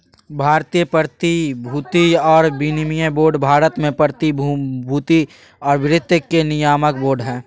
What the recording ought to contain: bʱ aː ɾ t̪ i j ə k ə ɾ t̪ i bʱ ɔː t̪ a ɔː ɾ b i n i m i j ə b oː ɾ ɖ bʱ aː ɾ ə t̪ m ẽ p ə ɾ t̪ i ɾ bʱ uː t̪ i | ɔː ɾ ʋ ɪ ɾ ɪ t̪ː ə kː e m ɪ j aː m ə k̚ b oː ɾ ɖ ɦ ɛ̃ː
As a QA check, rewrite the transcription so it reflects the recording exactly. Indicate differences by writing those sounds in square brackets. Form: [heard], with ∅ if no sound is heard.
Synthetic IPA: bʱ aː ɾ t̪ i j ə [p] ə ɾ t̪ i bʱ [uː] t̪ [i] ɔː ɾ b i n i m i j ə b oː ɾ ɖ bʱ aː ɾ ə t̪ m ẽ p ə ɾ t̪ i [∅] bʱ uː t̪ i | ɔː ɾ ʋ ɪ ɾ ɪ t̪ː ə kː e [n] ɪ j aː m ə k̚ b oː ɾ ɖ ɦ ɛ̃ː